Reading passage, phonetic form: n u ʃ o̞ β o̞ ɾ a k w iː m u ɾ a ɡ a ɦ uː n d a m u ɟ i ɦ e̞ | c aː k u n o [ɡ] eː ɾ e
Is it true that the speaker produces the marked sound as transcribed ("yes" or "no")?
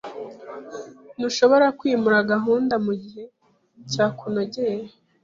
no